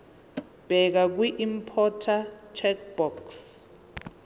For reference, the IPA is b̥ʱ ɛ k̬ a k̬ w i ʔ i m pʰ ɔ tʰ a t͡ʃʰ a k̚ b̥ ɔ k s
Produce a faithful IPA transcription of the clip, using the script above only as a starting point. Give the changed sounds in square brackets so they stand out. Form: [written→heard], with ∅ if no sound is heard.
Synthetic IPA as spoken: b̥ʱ ɛ k̬ a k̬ w i ʔ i m pʰ ɔ tʰ a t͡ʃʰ [a→ɛ] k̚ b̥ ɔ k s